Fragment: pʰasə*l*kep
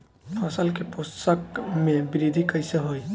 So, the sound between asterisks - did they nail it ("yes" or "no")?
yes